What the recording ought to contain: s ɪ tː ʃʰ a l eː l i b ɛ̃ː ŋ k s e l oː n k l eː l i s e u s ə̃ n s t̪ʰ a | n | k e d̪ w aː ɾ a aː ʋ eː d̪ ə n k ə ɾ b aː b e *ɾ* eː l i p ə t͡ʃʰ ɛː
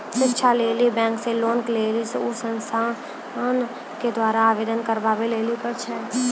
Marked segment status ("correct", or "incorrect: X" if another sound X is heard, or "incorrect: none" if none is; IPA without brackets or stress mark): incorrect: l